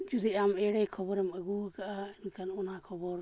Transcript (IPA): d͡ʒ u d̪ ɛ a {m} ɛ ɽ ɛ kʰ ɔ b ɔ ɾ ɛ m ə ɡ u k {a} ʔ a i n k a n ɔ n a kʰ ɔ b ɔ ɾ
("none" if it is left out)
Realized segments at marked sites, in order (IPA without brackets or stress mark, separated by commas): m, a